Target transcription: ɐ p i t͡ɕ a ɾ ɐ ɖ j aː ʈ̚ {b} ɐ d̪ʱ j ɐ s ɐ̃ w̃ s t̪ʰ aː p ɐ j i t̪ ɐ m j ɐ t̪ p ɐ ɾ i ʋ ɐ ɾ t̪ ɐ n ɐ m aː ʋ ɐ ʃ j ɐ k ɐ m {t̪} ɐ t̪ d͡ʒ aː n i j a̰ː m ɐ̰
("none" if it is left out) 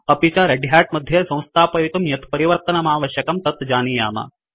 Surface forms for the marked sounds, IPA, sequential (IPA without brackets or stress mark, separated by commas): m, t̪